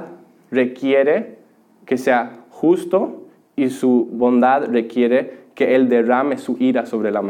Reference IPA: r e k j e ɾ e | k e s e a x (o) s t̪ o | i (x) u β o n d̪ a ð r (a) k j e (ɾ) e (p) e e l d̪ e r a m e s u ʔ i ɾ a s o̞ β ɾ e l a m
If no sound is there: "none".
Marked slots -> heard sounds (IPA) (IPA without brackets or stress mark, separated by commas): u, s, e, ɾ, k